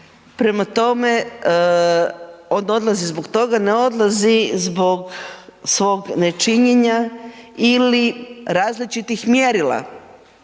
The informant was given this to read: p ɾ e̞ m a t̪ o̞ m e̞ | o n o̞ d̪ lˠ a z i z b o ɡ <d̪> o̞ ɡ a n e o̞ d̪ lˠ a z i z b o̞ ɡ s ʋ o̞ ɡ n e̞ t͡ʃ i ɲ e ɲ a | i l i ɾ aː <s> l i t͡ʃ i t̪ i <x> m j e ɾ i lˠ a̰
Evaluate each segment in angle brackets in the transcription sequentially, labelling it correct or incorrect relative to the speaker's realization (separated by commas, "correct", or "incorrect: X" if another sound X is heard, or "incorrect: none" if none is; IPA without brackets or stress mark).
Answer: incorrect: t̪, incorrect: z, correct